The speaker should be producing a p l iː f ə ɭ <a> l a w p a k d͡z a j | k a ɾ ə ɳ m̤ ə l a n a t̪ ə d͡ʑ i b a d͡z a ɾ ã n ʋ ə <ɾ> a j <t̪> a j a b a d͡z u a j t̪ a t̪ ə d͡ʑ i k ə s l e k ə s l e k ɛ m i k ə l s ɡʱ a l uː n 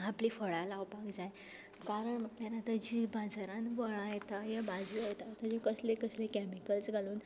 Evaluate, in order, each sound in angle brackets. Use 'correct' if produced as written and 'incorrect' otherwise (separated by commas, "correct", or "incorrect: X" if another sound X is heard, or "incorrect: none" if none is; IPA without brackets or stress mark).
correct, incorrect: ɭ, correct